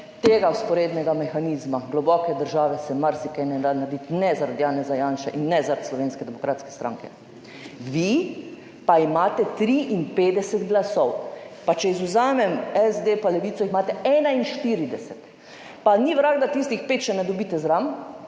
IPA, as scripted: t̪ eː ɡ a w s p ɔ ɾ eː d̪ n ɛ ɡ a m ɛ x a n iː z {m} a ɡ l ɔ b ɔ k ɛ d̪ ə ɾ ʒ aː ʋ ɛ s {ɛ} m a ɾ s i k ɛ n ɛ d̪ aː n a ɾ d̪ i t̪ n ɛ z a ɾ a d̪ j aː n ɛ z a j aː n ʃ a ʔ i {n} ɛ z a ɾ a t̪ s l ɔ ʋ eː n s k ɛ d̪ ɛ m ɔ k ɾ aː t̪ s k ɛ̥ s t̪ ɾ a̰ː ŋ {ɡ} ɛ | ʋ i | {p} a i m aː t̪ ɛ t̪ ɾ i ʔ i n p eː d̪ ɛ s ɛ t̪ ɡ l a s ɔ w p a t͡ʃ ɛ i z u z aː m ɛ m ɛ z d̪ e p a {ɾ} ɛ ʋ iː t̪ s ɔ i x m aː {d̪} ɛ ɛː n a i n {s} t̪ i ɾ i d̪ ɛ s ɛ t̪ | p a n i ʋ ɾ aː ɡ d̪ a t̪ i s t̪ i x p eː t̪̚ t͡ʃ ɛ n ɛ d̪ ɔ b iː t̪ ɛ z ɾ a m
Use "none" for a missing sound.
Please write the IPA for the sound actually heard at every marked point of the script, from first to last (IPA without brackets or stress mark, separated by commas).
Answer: m, ɛ, nː, k, p, l, t̪, ʃ